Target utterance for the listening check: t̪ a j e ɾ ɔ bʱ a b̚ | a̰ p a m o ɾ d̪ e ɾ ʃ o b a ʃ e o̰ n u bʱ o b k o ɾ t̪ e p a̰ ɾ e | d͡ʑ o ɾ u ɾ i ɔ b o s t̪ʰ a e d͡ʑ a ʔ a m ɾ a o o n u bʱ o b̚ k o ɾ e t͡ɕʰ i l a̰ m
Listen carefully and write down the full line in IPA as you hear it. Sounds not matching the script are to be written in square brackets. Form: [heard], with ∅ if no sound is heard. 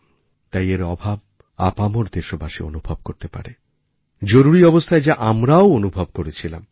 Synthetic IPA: t̪ a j e ɾ ɔ bʱ a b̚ | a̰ p a m o ɾ d̪ e ɾ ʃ o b a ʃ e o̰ n u bʱ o b k o ɾ t̪ e p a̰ ɾ e | d͡ʑ o ɾ u ɾ i ɔ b o s t̪ʰ a e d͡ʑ a ʔ a m ɾ a o o n u bʱ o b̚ k o ɾ e t͡ɕʰ i l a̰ m